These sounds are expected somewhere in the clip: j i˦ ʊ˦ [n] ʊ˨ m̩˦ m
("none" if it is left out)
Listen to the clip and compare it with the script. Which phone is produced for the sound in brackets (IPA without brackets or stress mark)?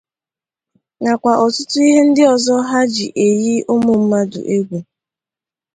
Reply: m